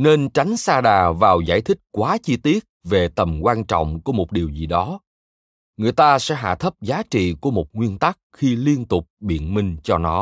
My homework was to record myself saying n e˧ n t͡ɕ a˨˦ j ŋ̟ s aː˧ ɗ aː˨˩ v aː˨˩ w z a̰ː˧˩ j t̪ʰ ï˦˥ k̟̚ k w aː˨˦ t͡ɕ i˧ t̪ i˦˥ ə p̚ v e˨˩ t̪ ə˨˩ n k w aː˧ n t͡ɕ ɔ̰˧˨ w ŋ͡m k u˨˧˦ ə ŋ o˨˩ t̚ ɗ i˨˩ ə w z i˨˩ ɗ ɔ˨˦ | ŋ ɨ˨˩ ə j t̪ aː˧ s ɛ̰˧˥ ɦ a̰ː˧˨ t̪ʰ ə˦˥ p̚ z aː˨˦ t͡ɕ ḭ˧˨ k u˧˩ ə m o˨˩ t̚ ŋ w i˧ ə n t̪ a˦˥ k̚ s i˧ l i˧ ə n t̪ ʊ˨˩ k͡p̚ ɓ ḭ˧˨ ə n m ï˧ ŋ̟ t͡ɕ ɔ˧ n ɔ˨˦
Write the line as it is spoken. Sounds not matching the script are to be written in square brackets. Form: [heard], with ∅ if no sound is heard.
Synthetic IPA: n e˧ n t͡ɕ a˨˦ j ŋ̟ s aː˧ ɗ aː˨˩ v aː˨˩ w z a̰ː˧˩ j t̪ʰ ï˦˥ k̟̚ k w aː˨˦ t͡ɕ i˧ t̪ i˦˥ ə [t̚] v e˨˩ t̪ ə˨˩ [m] k w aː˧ n t͡ɕ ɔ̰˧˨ w ŋ͡m k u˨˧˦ ə [m] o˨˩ t̚ ɗ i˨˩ ə w z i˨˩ ɗ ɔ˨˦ | ŋ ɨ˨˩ ə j t̪ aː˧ s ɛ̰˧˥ ɦ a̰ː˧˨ t̪ʰ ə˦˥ p̚ z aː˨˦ t͡ɕ ḭ˧˨ k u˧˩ ə m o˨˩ t̚ ŋ w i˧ ə n t̪ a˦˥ k̚ [x] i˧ l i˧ ə n t̪ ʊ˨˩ k͡p̚ ɓ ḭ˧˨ ə n m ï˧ ŋ̟ t͡ɕ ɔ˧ n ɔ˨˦